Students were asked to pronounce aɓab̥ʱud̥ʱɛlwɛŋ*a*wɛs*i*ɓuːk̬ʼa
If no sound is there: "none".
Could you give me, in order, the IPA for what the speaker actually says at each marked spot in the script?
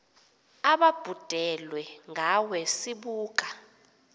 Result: a, i

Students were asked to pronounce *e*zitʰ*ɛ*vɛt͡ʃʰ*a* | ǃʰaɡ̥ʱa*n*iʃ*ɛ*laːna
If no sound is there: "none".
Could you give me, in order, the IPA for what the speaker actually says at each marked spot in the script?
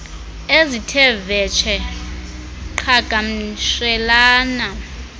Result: e, ɛ, ɛ, m, ɛ

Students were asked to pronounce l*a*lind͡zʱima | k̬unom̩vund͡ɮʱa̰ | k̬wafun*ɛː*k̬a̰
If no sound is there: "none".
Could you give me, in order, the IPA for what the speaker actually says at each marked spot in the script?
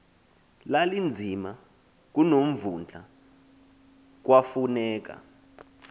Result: a, ɛː

